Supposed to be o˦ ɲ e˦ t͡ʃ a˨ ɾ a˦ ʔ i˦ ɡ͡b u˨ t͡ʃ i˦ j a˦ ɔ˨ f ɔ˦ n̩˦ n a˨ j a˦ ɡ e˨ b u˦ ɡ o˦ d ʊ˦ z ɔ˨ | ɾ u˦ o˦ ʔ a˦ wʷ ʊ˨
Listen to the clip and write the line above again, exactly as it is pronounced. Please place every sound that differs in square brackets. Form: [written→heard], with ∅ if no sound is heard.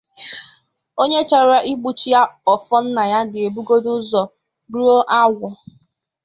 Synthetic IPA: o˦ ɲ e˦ t͡ʃ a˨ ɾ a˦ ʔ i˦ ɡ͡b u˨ t͡ʃ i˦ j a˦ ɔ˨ f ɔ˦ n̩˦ n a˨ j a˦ ɡ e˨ b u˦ ɡ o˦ d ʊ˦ z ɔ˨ | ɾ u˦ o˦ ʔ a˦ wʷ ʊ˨